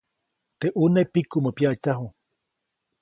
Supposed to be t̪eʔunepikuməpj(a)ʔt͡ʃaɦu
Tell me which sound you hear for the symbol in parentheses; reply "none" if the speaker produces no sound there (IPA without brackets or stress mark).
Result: a